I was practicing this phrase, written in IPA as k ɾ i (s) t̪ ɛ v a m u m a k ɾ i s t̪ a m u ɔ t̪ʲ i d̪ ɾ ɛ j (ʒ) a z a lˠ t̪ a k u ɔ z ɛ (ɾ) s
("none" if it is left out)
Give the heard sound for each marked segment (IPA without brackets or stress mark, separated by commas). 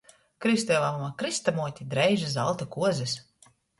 s, ʒ, none